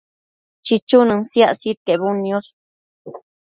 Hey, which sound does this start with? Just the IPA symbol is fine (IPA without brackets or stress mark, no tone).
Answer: t͡ʃ